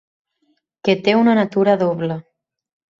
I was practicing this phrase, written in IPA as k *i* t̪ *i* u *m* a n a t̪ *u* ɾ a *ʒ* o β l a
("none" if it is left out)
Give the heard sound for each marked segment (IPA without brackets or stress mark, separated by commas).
e, e, n, u, ð